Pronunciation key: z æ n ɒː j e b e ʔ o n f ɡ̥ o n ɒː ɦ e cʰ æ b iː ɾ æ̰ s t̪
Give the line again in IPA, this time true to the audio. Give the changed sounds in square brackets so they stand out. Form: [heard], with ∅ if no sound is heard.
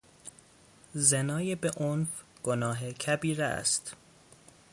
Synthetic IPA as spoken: z [e] n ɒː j e b e ʔ o n f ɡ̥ o n ɒː ɦ e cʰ æ b iː ɾ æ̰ s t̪